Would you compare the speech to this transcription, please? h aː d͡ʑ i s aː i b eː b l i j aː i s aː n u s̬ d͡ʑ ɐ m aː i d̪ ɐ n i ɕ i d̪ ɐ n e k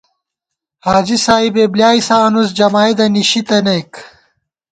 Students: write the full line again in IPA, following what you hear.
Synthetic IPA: h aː d͡ʑ i s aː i b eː b l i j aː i s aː n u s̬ d͡ʑ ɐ m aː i d̪ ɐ n i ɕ i t̪ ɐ n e k